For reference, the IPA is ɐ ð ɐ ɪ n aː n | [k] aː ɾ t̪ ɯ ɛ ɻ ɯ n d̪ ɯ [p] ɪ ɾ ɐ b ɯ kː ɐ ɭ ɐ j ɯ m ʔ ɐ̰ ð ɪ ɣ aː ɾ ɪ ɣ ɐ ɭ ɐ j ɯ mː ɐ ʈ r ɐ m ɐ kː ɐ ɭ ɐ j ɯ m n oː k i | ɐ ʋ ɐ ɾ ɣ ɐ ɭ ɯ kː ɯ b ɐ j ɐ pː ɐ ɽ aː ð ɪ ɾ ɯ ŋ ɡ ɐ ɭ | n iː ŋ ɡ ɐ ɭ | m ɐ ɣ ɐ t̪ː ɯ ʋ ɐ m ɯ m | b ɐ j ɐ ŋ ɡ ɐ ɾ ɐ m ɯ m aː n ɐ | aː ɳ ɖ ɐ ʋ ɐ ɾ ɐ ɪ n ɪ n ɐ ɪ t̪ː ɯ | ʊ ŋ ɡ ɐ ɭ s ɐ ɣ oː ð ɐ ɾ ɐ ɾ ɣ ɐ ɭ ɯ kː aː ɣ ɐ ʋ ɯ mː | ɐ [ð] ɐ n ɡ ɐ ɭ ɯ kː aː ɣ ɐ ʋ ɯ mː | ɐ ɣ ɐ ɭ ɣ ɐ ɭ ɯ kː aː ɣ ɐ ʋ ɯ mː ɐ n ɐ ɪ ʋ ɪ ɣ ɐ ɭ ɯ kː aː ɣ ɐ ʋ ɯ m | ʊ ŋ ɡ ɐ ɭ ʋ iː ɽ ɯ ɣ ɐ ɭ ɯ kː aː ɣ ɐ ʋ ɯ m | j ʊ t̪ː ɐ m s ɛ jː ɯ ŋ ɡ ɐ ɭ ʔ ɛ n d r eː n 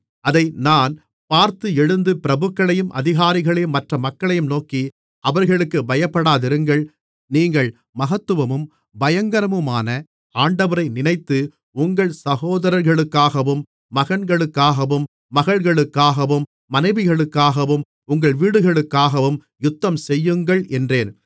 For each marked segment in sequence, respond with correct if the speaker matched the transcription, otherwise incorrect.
incorrect, correct, incorrect

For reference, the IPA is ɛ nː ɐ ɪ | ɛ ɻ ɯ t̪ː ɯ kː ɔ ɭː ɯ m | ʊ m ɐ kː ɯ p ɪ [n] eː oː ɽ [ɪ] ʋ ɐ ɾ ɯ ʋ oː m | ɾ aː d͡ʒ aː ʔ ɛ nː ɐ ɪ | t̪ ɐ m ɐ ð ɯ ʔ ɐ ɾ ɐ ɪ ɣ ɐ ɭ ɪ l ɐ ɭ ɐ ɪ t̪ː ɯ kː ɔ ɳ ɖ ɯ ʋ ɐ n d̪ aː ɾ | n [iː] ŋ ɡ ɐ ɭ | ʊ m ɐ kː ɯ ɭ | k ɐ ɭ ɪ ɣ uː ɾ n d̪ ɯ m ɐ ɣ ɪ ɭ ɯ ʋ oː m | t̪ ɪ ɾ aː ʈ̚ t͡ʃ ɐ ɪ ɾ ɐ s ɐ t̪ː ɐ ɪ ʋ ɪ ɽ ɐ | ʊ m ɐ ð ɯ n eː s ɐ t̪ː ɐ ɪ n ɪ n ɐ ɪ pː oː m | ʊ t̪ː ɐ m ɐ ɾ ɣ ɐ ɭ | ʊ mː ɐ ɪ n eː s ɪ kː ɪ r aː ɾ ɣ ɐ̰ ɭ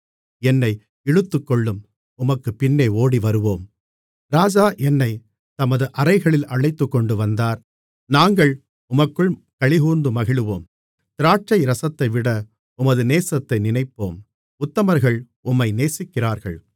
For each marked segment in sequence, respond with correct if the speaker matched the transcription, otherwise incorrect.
incorrect, incorrect, incorrect

